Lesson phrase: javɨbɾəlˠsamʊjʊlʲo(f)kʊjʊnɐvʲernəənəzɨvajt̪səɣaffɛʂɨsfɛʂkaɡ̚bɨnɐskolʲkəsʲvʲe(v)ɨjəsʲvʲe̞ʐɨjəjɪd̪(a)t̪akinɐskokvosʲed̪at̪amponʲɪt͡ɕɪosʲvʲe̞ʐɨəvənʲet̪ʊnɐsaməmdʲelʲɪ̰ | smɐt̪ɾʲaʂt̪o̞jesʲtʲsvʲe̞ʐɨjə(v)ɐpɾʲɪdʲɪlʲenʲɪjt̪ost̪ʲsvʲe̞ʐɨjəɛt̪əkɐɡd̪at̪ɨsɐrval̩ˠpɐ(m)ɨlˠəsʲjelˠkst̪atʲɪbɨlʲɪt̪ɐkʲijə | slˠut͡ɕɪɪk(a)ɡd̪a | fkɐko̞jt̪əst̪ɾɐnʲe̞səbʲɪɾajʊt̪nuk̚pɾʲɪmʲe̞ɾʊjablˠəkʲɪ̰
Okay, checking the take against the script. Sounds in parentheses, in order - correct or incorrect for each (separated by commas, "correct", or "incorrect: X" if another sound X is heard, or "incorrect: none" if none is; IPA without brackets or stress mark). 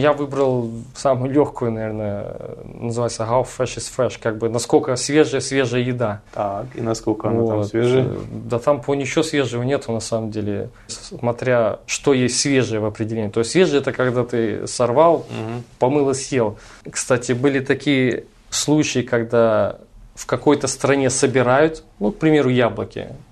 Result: incorrect: x, incorrect: ʐ, correct, correct, correct, incorrect: ɐ